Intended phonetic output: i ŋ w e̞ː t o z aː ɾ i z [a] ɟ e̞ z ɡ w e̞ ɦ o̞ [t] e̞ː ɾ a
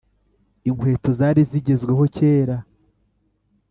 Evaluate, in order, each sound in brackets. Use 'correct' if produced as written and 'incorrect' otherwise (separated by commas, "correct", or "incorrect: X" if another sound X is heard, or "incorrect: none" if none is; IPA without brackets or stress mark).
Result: incorrect: i, incorrect: c